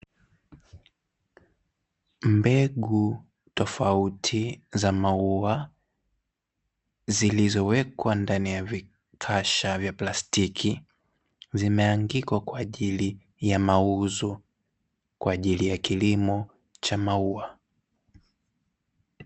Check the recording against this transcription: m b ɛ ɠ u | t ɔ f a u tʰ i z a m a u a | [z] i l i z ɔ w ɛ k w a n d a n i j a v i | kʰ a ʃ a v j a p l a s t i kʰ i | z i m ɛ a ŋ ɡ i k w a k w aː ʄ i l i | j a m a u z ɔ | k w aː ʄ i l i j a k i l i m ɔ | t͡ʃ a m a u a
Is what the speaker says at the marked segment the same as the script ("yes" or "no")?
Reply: yes